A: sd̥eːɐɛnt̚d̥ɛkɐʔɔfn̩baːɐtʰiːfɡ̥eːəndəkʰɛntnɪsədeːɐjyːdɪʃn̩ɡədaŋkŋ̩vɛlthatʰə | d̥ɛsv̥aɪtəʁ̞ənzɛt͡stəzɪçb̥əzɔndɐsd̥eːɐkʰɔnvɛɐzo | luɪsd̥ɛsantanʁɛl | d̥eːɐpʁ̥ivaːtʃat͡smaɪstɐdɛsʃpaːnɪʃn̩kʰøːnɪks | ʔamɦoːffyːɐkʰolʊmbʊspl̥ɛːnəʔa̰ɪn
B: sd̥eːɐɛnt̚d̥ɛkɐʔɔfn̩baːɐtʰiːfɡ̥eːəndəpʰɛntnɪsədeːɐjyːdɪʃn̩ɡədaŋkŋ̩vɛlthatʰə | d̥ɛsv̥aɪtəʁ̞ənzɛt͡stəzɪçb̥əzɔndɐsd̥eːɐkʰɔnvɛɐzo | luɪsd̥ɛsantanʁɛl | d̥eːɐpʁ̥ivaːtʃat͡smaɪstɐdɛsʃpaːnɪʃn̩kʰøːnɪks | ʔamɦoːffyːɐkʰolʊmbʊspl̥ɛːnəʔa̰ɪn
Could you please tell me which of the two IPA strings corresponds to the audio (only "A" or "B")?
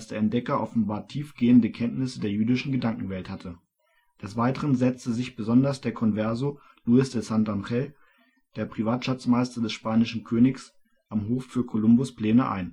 A